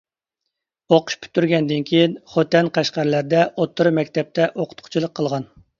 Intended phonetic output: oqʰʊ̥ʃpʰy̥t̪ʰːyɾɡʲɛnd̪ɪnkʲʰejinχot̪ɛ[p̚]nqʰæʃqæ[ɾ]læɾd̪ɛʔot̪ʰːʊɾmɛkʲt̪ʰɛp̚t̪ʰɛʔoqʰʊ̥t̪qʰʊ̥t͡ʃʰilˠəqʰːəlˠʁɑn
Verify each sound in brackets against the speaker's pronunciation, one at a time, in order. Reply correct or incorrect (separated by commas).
incorrect, correct